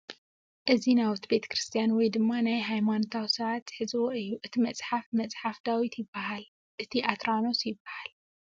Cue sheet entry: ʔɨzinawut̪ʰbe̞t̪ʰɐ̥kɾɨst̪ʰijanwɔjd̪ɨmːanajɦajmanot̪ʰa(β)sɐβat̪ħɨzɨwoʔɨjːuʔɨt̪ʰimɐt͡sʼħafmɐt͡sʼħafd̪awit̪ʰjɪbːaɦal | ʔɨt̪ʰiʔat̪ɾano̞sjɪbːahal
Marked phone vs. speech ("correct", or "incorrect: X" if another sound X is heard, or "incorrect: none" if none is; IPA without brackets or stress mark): incorrect: w